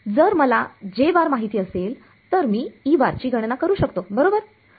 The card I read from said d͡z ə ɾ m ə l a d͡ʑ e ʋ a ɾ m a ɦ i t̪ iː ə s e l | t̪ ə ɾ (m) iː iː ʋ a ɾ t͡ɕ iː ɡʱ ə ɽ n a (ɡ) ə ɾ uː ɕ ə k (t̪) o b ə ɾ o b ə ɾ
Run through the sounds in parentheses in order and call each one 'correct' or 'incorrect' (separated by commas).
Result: correct, incorrect, correct